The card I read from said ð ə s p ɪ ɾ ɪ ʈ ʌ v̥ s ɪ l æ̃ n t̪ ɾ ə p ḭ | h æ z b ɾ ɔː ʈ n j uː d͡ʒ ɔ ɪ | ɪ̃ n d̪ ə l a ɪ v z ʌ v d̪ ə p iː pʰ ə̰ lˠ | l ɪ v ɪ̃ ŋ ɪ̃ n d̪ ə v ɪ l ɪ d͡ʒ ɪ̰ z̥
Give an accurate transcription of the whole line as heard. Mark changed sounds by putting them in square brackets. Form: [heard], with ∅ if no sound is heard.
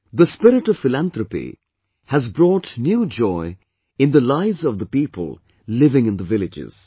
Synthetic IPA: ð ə s p ɪ ɾ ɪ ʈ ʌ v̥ [f] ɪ l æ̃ n t̪ ɾ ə p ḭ | h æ z b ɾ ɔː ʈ n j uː d͡ʒ ɔ ɪ | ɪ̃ n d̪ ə l a ɪ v z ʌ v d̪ ə p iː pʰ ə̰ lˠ | l ɪ v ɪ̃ ŋ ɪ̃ n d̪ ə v ɪ l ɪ d͡ʒ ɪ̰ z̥